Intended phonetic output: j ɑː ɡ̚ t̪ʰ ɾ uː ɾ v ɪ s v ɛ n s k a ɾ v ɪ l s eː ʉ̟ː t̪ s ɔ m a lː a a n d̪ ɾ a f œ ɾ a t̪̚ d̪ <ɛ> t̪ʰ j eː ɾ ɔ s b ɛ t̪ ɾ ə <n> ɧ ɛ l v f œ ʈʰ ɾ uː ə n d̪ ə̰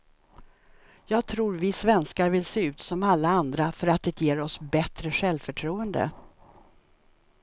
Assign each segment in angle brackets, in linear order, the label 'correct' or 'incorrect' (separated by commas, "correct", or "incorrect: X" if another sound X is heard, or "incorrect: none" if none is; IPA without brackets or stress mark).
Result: correct, incorrect: none